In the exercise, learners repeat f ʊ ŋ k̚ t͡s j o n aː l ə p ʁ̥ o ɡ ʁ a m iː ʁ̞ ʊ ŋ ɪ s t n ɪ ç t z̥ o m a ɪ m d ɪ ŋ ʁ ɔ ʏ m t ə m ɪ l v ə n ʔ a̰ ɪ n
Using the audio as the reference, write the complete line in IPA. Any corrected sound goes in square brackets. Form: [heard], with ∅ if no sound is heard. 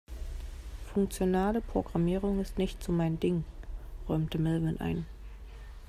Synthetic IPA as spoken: f ʊ ŋ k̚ t͡s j o n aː l ə p ʁ̥ o ɡ ʁ a m iː ʁ̞ ʊ ŋ ɪ s t n ɪ ç t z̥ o m a ɪ [n] d ɪ ŋ ʁ ɔ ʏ m t ə m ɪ l v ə n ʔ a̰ ɪ n